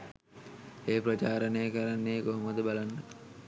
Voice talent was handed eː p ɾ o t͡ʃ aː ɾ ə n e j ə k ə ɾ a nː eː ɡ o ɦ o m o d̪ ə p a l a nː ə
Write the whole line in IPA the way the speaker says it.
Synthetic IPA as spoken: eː p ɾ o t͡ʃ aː ɾ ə n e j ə k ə ɾ a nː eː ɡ o ɦ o m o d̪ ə b a l a nː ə